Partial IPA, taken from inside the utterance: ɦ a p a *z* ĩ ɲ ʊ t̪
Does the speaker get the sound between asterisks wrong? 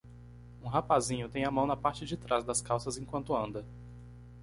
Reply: no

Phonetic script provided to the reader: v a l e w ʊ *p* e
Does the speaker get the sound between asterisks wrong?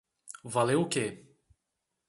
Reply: yes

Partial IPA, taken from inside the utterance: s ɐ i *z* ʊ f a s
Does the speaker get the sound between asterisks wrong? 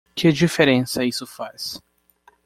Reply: yes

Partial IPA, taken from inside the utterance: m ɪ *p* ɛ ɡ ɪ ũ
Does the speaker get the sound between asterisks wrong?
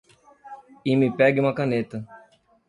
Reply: no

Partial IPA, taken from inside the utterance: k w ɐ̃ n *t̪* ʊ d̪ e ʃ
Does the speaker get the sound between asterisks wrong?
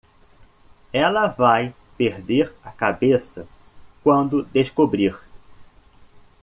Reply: yes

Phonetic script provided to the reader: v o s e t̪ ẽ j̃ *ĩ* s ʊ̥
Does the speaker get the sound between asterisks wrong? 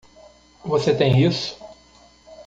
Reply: yes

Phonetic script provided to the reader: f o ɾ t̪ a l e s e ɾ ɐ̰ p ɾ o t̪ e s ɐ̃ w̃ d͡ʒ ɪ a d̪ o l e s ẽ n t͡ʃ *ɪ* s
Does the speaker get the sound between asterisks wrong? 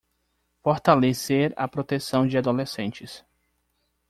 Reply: no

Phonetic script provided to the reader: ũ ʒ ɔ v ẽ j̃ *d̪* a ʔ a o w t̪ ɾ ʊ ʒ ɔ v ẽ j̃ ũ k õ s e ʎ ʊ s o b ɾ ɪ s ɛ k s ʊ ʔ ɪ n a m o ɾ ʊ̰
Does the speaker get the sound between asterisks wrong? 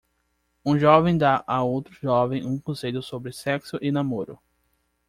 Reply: no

